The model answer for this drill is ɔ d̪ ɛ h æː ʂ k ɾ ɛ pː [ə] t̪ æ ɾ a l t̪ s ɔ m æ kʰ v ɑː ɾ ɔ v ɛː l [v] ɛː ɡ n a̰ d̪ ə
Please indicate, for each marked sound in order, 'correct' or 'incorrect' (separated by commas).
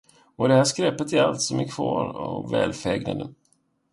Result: correct, incorrect